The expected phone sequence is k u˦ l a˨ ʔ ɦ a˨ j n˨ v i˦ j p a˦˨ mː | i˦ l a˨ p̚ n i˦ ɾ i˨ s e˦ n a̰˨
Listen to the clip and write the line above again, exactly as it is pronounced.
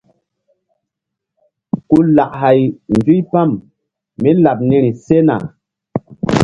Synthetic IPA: k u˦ l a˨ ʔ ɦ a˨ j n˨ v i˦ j p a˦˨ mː | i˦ l a˨ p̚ n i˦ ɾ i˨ s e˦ n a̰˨